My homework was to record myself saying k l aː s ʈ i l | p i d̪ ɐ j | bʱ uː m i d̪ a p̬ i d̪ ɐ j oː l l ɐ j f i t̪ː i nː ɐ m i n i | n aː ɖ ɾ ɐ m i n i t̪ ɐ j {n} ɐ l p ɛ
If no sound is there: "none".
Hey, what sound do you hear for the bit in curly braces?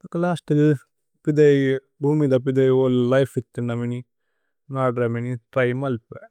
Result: m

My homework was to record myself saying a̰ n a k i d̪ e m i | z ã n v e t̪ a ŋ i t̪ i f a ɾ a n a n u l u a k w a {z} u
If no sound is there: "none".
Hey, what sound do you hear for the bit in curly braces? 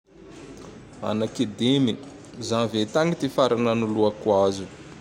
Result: z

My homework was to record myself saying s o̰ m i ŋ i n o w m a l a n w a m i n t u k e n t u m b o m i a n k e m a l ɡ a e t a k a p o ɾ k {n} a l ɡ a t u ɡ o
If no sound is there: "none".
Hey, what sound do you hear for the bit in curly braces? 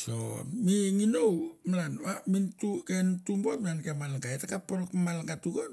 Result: m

